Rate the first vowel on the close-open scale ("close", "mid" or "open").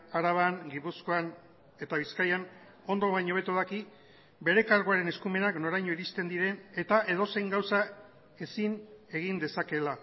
open